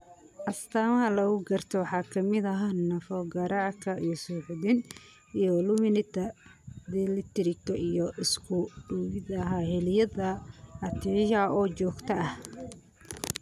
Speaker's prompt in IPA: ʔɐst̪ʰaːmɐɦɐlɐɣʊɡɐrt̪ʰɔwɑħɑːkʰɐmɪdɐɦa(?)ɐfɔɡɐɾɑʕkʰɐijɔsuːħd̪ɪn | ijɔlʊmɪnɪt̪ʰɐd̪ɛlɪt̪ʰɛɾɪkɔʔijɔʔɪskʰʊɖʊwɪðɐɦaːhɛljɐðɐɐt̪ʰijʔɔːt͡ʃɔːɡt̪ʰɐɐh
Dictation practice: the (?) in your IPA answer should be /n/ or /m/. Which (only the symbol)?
n